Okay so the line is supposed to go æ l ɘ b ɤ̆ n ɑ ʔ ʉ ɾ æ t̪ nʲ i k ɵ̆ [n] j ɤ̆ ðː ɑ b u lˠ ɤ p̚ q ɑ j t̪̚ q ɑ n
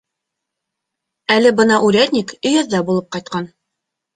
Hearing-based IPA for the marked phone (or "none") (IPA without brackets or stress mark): none